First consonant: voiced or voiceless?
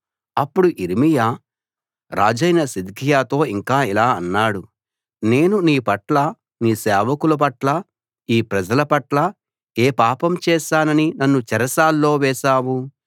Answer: voiceless